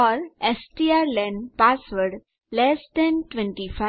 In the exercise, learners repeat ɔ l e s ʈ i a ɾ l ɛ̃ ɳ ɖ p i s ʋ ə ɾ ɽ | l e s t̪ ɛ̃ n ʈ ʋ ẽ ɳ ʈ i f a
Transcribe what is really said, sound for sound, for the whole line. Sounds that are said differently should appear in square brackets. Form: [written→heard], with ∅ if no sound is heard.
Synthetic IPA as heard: ɔ [l→ɾ] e s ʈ i a ɾ l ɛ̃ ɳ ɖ p [i→a] s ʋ ə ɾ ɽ | l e s [t̪→d̪] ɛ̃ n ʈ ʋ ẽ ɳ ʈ i f a